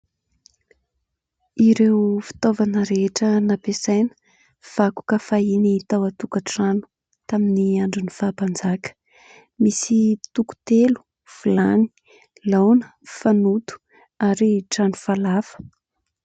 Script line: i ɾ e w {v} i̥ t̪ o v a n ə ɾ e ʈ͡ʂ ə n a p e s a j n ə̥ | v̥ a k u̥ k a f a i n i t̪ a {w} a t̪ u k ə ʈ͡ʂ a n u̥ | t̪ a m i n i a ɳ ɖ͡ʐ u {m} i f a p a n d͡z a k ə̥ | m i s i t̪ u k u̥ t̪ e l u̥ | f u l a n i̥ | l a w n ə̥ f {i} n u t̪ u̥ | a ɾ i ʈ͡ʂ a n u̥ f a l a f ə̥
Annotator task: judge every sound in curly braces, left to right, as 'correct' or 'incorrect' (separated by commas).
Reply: incorrect, correct, incorrect, incorrect